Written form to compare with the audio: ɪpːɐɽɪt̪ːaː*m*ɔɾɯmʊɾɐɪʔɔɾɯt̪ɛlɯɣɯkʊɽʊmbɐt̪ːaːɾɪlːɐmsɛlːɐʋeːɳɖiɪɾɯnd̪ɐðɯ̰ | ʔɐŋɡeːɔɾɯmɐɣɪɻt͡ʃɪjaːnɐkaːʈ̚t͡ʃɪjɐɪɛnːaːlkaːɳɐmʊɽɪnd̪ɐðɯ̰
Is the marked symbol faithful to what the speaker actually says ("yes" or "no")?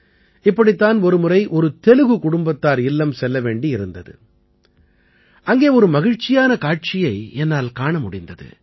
no